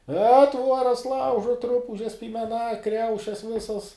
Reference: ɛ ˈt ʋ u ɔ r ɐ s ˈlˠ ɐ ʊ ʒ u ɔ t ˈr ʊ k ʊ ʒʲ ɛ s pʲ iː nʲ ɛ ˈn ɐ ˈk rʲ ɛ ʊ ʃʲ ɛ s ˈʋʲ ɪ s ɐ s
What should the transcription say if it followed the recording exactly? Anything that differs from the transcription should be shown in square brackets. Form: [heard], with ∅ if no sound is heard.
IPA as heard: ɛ ˈt ʋ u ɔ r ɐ s ˈlˠ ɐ ʊ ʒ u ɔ t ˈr ʊ [p] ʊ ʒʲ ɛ s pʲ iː [mʲ] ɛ ˈn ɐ ˈk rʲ ɛ ʊ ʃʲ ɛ s ˈʋʲ ɪ s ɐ s